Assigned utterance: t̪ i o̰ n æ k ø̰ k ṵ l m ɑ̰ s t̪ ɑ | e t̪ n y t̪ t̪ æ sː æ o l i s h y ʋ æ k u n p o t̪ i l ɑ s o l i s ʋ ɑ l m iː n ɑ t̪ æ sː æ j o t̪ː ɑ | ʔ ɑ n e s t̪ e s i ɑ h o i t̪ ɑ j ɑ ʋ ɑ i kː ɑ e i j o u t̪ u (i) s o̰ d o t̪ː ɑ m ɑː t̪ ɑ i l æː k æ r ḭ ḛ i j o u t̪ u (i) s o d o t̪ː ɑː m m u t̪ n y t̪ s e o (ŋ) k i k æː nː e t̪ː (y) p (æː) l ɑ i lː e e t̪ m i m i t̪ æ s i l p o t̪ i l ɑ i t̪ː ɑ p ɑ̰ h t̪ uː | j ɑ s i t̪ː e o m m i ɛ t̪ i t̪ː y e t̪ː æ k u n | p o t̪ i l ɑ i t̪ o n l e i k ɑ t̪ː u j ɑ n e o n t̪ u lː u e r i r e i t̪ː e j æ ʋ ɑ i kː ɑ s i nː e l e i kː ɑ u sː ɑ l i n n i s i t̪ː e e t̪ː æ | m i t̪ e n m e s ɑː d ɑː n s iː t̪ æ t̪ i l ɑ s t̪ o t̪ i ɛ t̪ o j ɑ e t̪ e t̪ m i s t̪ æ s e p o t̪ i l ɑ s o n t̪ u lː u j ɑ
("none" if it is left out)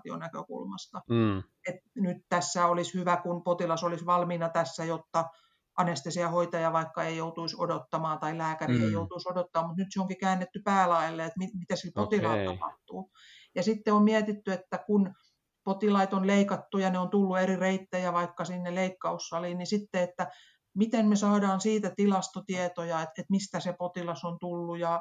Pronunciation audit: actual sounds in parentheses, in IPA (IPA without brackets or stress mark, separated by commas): i, i, ŋ, y, æː